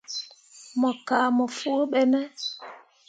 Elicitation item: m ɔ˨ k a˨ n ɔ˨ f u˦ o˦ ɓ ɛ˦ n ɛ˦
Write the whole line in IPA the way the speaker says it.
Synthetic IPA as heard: m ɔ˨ k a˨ m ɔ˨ f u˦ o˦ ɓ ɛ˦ m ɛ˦